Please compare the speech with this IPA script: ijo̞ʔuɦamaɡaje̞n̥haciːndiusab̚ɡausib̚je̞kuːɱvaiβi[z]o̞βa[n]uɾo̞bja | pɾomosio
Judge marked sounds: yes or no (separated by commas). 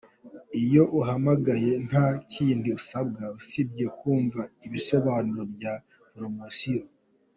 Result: no, yes